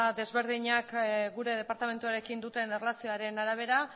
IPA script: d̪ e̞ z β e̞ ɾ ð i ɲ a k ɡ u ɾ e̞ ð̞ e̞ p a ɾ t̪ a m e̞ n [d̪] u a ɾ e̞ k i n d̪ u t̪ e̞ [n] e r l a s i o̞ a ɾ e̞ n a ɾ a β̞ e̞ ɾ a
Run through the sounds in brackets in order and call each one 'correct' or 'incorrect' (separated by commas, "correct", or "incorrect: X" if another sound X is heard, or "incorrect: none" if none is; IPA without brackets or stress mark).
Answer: incorrect: t̪, correct